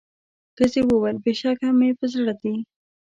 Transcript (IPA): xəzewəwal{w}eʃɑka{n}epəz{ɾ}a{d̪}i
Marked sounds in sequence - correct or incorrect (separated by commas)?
incorrect, incorrect, incorrect, correct